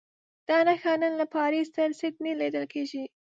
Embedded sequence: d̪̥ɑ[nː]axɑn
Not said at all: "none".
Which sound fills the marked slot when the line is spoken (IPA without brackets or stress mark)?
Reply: n